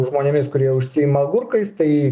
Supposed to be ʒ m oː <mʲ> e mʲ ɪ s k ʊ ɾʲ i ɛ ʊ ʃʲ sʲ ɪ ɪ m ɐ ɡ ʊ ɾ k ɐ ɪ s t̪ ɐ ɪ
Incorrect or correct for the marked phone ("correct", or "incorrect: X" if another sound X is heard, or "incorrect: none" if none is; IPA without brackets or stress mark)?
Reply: incorrect: nʲ